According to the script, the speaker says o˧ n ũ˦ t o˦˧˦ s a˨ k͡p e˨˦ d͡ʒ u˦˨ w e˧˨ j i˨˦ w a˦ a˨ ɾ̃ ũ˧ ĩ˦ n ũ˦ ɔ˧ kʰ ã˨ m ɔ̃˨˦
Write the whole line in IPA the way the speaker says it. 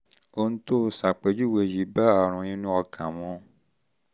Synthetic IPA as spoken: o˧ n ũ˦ t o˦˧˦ s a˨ k͡p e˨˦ d͡ʒ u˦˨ w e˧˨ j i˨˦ b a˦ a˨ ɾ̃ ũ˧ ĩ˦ n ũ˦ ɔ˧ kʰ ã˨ m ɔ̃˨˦